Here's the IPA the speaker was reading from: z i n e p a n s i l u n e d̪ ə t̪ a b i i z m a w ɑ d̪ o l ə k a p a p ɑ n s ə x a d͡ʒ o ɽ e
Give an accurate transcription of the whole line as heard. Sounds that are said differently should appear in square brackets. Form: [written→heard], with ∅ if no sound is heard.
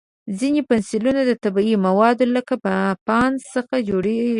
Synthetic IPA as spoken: z i n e p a n s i l u n [e→a] d̪ ə t̪ a b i i [z→∅] m a w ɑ d̪ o l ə k a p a p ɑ n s ə x a d͡ʒ o ɽ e